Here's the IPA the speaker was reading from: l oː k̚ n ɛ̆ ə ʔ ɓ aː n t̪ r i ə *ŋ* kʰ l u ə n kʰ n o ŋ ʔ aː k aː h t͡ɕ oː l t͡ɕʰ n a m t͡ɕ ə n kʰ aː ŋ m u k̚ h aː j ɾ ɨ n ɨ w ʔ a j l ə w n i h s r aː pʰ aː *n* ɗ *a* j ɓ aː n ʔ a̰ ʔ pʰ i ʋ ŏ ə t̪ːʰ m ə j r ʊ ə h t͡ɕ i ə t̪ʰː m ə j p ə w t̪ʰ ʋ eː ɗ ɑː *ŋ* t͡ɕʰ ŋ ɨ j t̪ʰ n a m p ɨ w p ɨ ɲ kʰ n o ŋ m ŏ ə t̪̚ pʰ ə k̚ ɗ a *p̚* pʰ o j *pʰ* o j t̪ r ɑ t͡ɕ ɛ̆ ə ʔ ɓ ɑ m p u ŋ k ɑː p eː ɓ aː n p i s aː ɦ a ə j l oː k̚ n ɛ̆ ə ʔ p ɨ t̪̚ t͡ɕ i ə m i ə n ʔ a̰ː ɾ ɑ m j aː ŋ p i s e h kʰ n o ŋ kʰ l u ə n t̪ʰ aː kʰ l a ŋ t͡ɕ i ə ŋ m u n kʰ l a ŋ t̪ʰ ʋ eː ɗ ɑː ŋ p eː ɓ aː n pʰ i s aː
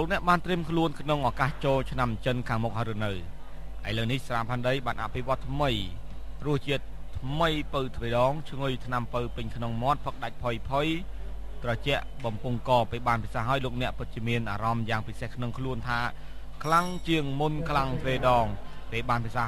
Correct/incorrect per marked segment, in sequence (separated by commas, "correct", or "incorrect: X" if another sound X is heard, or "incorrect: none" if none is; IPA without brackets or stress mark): incorrect: m, correct, incorrect: ə, correct, incorrect: c̚, correct